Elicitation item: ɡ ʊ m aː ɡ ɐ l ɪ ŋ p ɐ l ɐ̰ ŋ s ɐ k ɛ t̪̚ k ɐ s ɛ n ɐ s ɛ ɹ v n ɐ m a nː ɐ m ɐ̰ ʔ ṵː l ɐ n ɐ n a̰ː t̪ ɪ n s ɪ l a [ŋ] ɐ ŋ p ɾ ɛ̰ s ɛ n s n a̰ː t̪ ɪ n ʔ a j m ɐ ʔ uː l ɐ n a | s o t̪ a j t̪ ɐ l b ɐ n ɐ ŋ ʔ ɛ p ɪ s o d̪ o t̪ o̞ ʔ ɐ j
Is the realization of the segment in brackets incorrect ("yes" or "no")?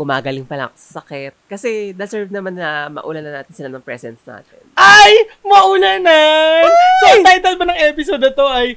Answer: yes